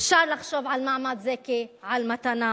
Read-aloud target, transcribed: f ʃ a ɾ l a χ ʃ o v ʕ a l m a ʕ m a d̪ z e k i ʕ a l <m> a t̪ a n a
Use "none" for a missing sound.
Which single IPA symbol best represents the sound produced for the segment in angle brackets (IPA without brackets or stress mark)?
m